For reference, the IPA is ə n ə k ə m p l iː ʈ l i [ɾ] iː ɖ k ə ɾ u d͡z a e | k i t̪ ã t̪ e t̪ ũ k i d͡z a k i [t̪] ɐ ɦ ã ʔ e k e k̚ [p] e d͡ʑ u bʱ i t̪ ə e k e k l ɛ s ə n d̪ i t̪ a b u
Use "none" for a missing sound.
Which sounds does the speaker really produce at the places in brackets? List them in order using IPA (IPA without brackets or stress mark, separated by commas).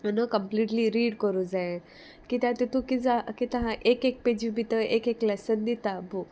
ɾ, t̪, p